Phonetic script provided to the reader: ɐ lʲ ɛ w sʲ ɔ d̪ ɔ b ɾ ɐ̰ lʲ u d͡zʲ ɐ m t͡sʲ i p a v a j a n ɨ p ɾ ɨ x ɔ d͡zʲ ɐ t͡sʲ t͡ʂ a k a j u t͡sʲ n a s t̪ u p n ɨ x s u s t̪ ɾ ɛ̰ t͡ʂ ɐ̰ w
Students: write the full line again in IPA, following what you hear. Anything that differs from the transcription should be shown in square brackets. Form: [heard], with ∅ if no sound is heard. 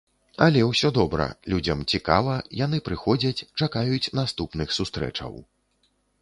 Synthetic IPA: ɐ lʲ ɛ w sʲ ɔ d̪ ɔ b ɾ ɐ̰ lʲ u d͡zʲ ɐ m t͡sʲ i [k] a v [ɐ] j a n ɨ p ɾ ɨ x ɔ d͡zʲ ɐ t͡sʲ t͡ʂ a k a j u t͡sʲ n a s t̪ u p n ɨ x s u s t̪ ɾ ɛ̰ t͡ʂ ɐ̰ w